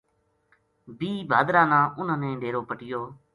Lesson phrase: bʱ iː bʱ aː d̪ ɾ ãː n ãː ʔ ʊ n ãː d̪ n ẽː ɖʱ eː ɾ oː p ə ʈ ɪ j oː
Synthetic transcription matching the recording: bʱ iː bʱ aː d̪ ɾ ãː n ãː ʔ ʊ n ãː n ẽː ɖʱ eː ɾ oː p ə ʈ ɪ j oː